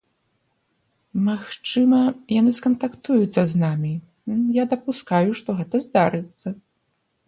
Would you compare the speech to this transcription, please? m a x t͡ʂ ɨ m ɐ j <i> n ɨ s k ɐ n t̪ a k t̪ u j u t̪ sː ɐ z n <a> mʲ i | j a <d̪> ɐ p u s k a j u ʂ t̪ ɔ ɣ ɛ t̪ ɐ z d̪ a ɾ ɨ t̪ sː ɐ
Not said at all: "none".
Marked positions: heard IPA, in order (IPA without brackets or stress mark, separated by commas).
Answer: a, a, d̪